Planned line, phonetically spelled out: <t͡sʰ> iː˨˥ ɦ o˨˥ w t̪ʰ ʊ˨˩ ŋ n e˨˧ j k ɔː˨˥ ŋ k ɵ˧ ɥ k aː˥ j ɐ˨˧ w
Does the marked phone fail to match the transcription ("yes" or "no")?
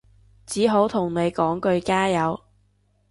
yes